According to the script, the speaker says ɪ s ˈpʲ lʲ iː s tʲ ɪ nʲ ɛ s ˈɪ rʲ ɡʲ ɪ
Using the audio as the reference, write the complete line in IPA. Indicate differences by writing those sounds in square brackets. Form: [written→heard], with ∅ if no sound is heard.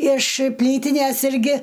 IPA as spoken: ɪ [s→ʃ] ˈpʲ lʲ iː [s→∅] tʲ ɪ nʲ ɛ s ˈɪ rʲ ɡʲ ɪ